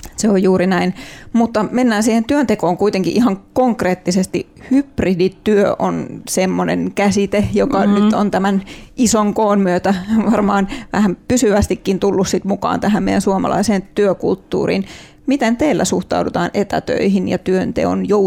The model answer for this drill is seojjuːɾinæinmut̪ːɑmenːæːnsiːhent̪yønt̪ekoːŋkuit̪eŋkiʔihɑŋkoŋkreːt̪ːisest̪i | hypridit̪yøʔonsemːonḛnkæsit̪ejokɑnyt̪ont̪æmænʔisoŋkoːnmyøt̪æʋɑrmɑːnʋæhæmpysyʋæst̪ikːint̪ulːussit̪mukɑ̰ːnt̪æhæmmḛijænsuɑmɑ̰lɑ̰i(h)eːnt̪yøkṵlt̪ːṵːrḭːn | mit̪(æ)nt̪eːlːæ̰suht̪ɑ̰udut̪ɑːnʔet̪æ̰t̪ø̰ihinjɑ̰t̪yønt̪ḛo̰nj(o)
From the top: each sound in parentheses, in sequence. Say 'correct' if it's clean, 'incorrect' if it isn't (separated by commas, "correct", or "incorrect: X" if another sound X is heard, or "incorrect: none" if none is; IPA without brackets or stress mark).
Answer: incorrect: s, incorrect: e, correct